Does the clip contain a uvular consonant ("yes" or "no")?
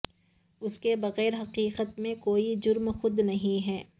yes